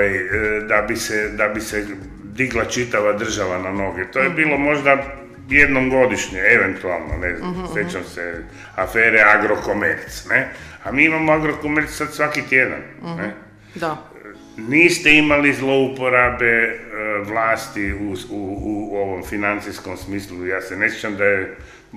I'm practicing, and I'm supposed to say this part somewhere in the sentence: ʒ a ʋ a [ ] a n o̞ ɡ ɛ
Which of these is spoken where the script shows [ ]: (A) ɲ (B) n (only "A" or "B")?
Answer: B